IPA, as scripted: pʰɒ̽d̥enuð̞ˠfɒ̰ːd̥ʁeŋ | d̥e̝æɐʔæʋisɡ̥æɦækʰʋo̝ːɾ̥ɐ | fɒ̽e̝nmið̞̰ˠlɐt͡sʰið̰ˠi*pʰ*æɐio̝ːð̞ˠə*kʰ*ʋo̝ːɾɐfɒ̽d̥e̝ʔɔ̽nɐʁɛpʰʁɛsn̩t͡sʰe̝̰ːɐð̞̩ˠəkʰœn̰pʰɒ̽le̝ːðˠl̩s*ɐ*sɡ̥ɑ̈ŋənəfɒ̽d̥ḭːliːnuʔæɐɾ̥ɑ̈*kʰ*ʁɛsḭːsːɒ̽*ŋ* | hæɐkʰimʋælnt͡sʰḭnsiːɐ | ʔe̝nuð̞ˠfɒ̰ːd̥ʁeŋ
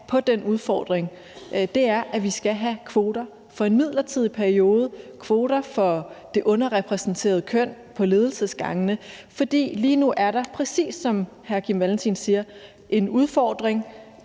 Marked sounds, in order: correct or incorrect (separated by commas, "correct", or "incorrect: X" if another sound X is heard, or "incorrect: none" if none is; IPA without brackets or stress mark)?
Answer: correct, correct, incorrect: ə, incorrect: pʰ, incorrect: m